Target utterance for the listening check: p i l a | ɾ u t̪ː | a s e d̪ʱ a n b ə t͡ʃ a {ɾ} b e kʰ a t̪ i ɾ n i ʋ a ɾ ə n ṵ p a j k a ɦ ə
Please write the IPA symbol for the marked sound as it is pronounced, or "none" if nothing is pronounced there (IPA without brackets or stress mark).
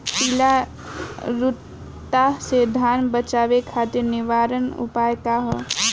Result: none